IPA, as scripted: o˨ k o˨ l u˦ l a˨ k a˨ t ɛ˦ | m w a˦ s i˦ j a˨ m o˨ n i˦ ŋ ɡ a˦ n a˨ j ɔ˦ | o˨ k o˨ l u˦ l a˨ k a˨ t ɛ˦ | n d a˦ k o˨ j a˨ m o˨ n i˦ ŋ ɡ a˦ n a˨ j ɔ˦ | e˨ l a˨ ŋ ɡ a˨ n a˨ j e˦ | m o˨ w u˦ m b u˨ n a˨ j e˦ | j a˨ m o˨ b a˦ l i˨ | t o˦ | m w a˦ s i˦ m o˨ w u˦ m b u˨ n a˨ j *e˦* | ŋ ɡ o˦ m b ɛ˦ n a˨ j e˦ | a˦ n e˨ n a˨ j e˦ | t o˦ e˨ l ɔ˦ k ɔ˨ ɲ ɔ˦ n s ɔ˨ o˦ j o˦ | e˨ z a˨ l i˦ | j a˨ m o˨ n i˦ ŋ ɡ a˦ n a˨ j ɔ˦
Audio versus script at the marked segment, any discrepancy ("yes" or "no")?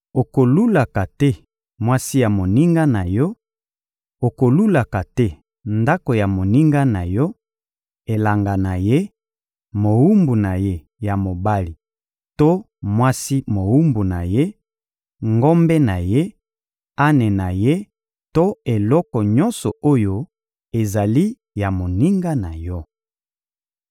no